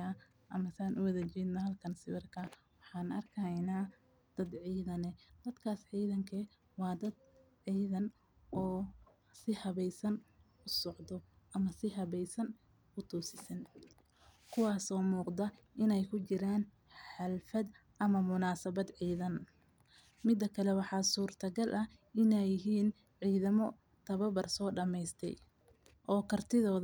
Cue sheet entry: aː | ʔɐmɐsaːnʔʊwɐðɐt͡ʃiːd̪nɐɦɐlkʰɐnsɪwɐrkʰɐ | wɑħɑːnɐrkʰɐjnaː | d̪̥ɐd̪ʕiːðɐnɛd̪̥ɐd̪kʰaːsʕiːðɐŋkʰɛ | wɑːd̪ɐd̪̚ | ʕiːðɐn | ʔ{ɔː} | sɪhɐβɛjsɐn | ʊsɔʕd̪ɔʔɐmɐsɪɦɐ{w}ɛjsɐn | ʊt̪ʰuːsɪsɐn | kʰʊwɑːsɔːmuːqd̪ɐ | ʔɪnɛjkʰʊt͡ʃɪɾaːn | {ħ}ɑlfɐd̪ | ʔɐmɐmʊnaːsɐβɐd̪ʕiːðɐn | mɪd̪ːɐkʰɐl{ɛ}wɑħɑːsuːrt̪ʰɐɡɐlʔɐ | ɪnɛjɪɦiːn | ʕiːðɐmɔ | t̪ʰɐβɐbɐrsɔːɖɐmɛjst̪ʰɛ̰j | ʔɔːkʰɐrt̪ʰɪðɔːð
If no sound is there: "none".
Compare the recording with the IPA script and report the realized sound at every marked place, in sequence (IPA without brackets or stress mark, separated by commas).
ɔː, β, ħ, ɛ